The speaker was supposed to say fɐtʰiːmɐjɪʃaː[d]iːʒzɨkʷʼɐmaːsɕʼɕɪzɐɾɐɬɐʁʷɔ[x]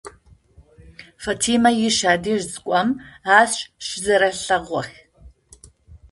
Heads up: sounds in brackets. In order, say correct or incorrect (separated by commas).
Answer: correct, correct